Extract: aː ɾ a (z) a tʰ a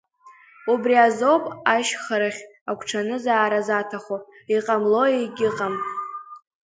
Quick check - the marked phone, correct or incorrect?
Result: correct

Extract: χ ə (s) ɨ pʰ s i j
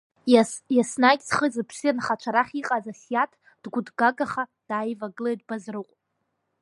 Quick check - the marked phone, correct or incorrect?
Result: incorrect: z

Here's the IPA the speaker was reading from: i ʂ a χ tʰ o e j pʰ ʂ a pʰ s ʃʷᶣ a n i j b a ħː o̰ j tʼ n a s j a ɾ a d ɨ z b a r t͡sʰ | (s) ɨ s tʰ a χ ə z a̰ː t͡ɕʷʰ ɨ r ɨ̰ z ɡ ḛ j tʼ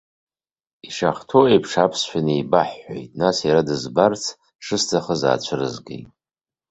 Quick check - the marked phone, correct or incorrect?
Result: incorrect: ʂ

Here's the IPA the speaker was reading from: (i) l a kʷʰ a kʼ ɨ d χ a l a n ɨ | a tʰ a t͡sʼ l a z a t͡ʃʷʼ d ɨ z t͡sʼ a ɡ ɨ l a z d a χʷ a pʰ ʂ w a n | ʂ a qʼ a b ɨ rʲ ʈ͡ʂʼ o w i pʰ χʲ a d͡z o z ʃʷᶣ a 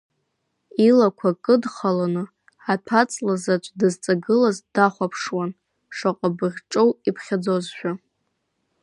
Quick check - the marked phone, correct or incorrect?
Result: correct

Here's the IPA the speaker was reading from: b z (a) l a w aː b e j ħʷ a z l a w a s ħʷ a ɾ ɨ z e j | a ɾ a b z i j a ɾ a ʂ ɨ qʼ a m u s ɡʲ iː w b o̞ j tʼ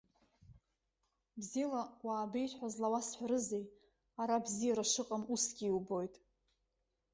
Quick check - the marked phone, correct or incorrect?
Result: incorrect: i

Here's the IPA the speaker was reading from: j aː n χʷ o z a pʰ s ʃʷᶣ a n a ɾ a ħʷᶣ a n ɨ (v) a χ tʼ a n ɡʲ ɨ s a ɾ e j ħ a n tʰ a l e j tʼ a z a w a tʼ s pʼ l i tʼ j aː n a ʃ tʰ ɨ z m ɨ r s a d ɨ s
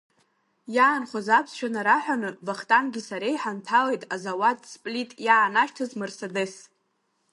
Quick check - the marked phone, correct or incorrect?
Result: correct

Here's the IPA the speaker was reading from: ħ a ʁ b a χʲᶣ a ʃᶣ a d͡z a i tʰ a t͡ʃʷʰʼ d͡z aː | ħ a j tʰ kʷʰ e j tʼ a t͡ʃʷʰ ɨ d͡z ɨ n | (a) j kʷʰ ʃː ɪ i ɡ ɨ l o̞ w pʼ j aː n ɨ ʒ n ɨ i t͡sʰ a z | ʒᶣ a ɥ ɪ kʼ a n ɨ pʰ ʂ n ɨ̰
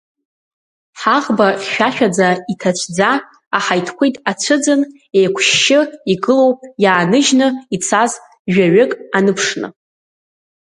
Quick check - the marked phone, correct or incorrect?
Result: incorrect: e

